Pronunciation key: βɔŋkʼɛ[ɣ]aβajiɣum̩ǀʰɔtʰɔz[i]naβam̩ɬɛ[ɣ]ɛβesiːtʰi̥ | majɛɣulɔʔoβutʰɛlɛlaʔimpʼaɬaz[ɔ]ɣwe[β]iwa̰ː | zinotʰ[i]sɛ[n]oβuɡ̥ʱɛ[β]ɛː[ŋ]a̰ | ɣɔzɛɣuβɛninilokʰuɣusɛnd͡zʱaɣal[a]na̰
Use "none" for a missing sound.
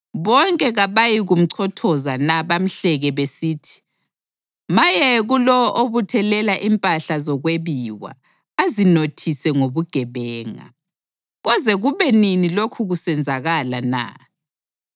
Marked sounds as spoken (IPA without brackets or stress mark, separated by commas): ɣ, a, ɣ, ɔ, β, i, ŋ, β, ŋ, a